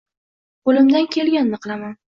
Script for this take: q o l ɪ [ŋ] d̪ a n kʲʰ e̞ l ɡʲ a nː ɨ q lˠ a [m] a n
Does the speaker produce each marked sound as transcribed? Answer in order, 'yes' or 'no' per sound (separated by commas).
no, yes